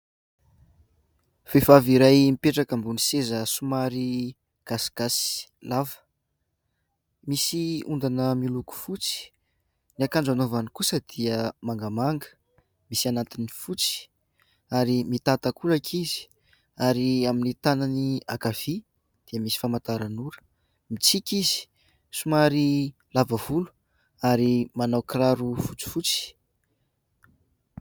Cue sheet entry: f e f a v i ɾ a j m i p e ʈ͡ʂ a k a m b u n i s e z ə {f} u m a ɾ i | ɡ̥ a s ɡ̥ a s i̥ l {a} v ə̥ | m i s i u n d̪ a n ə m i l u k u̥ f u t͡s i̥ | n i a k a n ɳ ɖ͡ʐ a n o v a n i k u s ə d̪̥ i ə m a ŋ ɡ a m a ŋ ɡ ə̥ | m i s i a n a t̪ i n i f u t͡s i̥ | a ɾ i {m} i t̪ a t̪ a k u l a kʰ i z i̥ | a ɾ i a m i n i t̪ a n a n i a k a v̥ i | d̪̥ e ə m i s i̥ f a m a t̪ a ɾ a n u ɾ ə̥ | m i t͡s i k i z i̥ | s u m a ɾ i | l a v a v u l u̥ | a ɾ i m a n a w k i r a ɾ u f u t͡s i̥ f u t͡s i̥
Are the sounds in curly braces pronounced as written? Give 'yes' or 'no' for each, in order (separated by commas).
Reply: no, yes, yes